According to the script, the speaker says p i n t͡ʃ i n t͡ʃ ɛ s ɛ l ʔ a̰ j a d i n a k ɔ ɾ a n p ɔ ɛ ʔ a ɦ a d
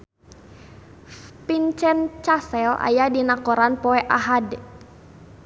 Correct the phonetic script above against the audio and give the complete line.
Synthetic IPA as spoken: p i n t͡ʃ ɛ n t͡ʃ a s ɛ l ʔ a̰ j a d i n a k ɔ ɾ a n p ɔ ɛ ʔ a ɦ a d